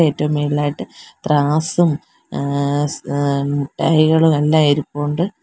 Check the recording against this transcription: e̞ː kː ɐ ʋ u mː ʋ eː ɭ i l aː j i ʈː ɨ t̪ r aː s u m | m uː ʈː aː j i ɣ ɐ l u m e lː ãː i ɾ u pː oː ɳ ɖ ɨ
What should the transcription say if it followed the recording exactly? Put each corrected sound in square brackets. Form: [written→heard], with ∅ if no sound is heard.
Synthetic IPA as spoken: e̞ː [kː→tː] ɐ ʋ u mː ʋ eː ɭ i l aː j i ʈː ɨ t̪ r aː s u m | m [uː→u] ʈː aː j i ɣ ɐ [l→ɭ] u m e lː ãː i ɾ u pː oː ɳ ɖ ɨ